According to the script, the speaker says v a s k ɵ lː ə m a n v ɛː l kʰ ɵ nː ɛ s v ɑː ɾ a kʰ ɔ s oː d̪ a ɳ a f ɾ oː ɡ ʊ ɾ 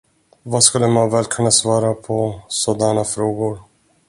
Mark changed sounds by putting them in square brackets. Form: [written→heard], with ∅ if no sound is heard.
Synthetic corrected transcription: v a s k ɵ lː ə m a n v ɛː l kʰ ɵ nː [ɛ→a] s v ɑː ɾ a [kʰ→pʰ] ɔ s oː d̪ a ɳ a f ɾ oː ɡ ʊ ɾ